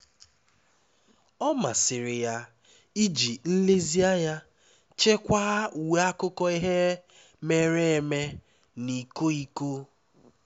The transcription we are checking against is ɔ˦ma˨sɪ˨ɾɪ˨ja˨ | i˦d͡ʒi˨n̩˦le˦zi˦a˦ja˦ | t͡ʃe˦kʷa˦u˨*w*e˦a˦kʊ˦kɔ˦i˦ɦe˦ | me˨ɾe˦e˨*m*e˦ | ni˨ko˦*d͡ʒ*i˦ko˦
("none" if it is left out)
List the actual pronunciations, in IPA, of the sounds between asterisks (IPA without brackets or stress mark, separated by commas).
w, m, none